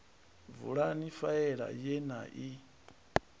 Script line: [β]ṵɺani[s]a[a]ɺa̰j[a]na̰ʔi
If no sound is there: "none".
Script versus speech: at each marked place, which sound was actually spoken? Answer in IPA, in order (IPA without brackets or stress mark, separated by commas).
v, f, ɛ, ɛ